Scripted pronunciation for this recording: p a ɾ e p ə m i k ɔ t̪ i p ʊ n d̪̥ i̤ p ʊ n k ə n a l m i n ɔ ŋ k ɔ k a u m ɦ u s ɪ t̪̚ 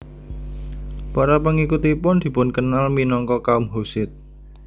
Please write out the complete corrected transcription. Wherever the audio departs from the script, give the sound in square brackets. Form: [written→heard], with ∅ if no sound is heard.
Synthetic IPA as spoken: p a ɾ [e→a] p ə [m→ŋ] i k [ɔ→u] t̪ i p ʊ n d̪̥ i̤ p ʊ n k ə n a l m i n ɔ ŋ k ɔ k a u m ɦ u s ɪ t̪̚